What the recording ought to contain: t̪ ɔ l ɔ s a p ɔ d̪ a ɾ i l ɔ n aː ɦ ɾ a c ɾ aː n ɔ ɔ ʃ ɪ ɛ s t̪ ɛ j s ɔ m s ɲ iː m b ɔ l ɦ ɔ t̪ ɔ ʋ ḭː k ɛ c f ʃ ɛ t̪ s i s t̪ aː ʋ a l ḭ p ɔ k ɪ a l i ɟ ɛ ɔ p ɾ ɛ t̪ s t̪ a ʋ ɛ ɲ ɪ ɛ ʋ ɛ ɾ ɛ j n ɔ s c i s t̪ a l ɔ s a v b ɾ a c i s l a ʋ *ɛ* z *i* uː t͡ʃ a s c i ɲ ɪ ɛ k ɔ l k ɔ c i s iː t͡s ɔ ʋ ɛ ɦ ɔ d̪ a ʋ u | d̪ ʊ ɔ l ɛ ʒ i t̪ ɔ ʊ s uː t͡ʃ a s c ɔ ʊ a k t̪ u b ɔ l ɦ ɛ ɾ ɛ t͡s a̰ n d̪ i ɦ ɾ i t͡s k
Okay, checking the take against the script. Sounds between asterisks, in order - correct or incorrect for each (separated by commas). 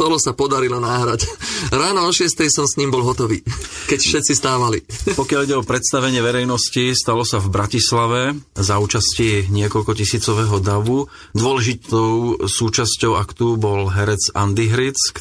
correct, incorrect